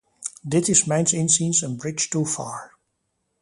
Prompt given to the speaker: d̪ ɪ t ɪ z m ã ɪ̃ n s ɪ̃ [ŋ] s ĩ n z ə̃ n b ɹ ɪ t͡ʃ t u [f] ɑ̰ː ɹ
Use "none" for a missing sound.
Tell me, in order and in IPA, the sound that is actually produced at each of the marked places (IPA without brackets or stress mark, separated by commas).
n, f